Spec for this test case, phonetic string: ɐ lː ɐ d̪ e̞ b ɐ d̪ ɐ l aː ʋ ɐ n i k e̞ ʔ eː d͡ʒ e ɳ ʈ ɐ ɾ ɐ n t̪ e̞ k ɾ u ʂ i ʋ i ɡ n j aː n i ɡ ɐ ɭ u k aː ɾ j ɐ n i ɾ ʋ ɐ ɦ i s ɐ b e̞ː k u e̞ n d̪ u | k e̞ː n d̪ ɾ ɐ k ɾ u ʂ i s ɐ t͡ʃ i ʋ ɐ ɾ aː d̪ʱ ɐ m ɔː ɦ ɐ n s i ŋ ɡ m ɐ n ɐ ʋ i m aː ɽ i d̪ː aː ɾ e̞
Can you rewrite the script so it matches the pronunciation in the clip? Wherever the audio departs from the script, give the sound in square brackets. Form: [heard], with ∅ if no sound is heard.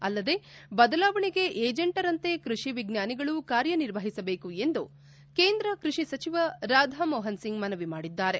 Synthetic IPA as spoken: ɐ lː ɐ d̪ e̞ b ɐ d̪ ɐ l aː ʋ ɐ [ɳ] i [ɡ] e̞ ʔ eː d͡ʒ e ɳ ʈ ɐ ɾ ɐ n t̪ e̞ k ɾ u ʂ i ʋ i ɡ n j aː n i ɡ ɐ ɭ u k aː ɾ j ɐ n i ɾ ʋ ɐ ɦ i s ɐ b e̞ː k u e̞ n d̪ u | k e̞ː n d̪ ɾ ɐ k ɾ u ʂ i s ɐ t͡ʃ i ʋ ɐ ɾ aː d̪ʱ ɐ m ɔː ɦ ɐ n s i ŋ ɡ m ɐ n ɐ ʋ i m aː ɽ i d̪ː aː ɾ e̞